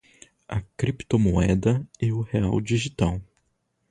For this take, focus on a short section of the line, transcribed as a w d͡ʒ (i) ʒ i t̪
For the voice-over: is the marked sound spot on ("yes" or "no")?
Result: yes